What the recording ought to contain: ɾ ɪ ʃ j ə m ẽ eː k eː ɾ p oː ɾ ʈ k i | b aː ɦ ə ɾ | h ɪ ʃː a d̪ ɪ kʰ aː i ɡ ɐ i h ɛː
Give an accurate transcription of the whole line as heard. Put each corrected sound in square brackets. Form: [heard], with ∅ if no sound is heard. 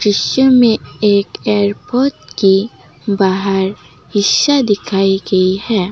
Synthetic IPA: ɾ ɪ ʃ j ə m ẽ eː k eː ɾ p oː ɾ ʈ k i | b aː ɦ ə ɾ | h ɪ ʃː a d̪ ɪ kʰ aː i ɡ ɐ i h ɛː